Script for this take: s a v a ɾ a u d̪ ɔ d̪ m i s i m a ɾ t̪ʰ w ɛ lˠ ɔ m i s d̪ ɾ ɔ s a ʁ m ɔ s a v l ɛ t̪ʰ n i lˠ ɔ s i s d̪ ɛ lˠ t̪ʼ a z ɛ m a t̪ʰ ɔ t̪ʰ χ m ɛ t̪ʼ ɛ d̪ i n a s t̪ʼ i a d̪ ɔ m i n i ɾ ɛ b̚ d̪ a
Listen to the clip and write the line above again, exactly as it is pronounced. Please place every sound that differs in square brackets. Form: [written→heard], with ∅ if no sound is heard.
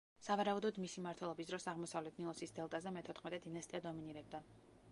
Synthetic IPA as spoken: s a v a ɾ a u d̪ ɔ d̪ m i s i m a ɾ t̪ʰ w ɛ lˠ ɔ [m→b] i s d̪ ɾ ɔ s a ʁ m ɔ s a v l ɛ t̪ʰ n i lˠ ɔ s i s d̪ ɛ lˠ t̪ʼ a z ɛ m [a→ɛ] t̪ʰ ɔ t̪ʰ χ m ɛ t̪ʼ ɛ d̪ i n a s t̪ʼ i a d̪ ɔ m i n i ɾ ɛ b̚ d̪ a